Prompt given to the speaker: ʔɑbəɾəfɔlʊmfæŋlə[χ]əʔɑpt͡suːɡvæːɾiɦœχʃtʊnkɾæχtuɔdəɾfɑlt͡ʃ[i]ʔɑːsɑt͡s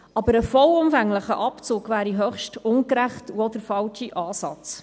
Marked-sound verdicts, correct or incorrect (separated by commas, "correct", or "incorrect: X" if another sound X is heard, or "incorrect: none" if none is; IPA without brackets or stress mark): correct, correct